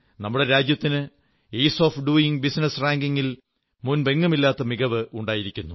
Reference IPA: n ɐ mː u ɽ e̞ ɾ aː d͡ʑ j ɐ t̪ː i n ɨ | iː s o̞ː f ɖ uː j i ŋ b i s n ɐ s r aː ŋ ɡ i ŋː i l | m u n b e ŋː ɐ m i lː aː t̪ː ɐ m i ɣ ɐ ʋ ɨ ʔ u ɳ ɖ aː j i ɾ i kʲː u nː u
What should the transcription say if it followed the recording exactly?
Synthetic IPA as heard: n ɐ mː u ɽ e̞ ɾ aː d͡ʑ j ɐ t̪ː i n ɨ | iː s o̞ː f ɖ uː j i ŋ b i s n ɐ s r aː ŋ ɡ i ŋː i l | m u n b e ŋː ɐ m i lː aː t̪ː ɐ m i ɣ ɐ ʋ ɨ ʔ u ɳ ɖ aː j i ɾ i kʲː u nː u